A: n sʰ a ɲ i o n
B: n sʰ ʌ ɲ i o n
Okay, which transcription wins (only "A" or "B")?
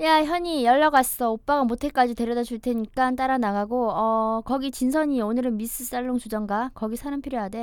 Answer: B